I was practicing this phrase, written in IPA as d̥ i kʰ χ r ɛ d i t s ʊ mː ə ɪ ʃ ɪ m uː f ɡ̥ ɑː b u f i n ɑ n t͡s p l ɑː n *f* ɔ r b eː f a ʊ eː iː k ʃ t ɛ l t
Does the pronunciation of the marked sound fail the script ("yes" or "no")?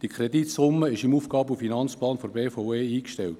no